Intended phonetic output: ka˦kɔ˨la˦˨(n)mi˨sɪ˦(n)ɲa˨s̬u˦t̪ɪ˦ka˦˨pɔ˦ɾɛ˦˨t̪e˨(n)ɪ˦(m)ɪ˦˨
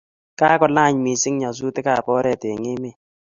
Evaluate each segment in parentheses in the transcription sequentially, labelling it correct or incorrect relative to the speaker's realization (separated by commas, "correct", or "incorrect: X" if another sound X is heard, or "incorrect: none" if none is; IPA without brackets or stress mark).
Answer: incorrect: ɲ, incorrect: ŋ, incorrect: ŋ, correct